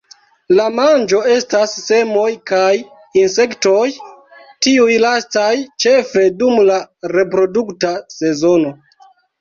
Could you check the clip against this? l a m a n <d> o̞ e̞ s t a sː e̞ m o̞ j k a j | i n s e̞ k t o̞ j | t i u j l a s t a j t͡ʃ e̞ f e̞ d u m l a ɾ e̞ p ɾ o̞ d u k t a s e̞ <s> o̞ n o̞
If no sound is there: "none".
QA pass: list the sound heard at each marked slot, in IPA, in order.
d͡ʒ, z

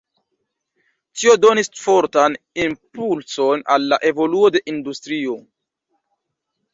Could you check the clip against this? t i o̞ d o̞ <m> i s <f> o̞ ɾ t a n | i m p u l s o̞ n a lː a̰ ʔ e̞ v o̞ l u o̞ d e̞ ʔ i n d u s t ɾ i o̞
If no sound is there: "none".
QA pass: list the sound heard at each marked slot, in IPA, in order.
n, f

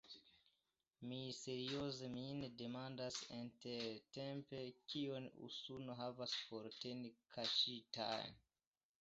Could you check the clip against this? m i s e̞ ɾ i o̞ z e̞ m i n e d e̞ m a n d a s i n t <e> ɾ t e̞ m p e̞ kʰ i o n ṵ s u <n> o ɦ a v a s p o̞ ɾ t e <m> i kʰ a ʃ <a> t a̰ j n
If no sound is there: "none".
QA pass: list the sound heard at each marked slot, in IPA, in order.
e, n, n, i

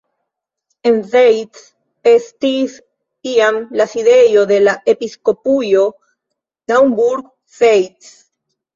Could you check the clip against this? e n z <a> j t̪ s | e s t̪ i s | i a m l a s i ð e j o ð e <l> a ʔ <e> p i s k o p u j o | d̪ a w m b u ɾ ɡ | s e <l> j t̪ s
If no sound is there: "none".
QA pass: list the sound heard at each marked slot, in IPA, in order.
e, l, e, none

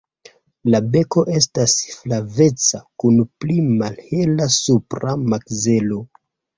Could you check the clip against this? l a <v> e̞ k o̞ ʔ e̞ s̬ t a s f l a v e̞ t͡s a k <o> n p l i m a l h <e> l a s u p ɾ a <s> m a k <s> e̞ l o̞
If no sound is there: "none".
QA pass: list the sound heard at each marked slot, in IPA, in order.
b, u, e, none, z

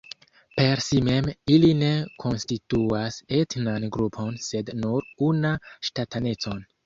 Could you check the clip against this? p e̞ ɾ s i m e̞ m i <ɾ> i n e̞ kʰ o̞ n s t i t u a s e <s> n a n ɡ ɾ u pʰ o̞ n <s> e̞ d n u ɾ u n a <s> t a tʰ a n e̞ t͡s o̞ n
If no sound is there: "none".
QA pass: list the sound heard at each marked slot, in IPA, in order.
l, t, s, ʃ

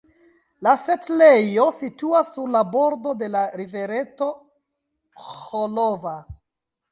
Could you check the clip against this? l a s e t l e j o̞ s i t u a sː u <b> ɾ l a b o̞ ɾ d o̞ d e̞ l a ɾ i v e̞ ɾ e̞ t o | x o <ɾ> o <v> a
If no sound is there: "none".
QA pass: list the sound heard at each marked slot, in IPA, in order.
none, l, v

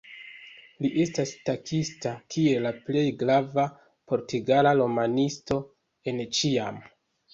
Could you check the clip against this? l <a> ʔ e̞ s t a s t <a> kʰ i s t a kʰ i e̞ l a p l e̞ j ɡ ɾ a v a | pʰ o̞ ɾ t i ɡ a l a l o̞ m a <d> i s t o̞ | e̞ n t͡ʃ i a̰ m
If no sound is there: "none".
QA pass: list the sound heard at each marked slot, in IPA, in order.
i, a, n

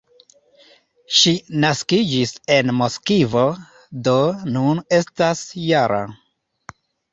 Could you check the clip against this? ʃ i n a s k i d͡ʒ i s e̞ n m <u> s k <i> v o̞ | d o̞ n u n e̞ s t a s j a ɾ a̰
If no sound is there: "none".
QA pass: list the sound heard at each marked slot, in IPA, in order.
o, i

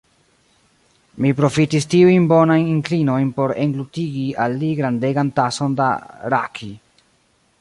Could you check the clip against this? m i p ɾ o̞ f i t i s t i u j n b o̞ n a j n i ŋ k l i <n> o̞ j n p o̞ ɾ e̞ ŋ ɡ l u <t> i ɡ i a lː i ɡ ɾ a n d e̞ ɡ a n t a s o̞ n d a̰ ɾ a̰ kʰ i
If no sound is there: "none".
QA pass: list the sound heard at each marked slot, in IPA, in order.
n, t

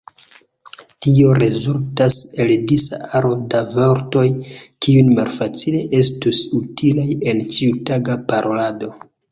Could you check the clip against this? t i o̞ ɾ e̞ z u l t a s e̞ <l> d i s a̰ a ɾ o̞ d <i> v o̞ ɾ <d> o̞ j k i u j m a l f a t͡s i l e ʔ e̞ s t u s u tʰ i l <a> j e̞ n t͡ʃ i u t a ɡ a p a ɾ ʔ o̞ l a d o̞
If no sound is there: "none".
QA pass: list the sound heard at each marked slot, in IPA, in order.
l, a, t, a

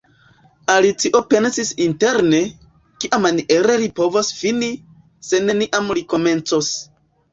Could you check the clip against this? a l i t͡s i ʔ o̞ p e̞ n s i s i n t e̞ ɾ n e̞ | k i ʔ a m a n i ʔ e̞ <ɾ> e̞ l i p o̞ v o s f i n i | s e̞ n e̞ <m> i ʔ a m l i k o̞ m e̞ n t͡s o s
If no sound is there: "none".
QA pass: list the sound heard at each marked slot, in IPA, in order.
ɾ, n

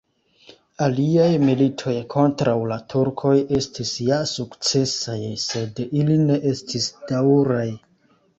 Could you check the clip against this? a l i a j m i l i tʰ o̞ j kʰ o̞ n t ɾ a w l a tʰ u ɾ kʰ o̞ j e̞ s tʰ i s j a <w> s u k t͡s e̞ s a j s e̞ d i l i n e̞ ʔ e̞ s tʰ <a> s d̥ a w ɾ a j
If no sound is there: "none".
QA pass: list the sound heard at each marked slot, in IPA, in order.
none, i

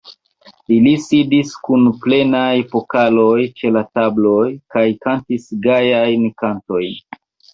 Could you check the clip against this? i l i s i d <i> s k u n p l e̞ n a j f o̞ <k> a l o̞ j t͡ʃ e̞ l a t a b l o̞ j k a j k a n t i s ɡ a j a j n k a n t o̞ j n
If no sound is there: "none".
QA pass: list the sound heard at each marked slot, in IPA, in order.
i, k

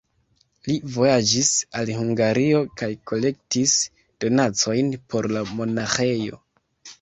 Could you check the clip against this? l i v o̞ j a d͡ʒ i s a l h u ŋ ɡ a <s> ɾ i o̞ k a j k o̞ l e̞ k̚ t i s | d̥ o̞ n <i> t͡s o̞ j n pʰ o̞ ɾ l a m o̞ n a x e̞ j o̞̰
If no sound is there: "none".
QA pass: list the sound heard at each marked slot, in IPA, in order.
none, a

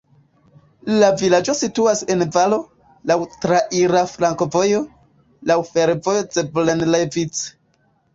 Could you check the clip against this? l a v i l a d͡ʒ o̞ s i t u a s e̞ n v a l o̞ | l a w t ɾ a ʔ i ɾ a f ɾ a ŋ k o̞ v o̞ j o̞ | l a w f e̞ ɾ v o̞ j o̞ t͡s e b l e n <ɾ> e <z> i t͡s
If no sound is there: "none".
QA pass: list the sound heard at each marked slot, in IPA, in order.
l, v

